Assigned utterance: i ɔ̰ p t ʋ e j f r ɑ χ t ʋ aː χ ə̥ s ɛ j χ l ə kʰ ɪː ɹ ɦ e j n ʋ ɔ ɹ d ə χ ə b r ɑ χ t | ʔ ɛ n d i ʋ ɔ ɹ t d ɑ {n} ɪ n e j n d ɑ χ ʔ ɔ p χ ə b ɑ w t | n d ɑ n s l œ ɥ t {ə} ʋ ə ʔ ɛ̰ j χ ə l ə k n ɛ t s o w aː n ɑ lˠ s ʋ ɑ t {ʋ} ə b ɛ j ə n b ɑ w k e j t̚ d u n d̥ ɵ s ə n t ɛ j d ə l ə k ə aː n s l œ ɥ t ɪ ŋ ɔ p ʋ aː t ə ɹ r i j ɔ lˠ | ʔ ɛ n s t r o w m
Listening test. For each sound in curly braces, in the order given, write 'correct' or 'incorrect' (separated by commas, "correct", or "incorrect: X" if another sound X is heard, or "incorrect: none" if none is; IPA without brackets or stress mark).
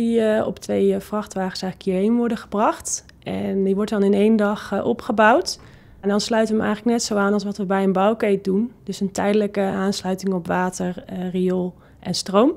correct, correct, correct